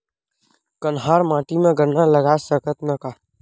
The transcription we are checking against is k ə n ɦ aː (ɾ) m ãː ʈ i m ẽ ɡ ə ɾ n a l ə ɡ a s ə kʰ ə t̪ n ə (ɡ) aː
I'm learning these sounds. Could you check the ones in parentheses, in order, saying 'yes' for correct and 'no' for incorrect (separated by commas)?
yes, no